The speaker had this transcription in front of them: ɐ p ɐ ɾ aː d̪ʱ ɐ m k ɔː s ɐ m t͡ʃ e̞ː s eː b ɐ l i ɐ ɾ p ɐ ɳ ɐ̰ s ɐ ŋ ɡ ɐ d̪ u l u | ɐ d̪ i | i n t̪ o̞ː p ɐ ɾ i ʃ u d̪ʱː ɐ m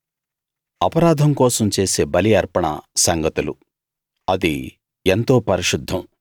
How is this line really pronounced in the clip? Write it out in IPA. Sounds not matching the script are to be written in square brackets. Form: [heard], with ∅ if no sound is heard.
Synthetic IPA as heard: ɐ p ɐ ɾ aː d̪ʱ ɐ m k ɔː s ɐ m t͡ʃ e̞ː s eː b ɐ l i ɐ ɾ p ɐ ɳ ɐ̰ s ɐ ŋ ɡ ɐ [t̪] u l u | ɐ d̪ i | [e] n t̪ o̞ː p ɐ ɾ i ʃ u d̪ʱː ɐ m

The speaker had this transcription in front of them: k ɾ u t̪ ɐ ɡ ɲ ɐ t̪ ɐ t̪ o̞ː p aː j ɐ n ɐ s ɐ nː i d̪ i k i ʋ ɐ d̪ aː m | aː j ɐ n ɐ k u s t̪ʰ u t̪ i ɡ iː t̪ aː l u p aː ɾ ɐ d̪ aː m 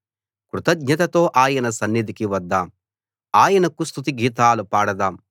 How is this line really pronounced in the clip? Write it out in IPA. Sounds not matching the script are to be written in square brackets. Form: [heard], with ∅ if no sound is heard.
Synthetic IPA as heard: k ɾ u t̪ ɐ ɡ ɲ ɐ t̪ ɐ t̪ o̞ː [ʔ] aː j ɐ n ɐ s ɐ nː i d̪ i k i ʋ ɐ [d̪ː] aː m | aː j ɐ n ɐ k u s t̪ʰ u t̪ i ɡ iː t̪ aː l u p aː [ɽ] ɐ d̪ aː m

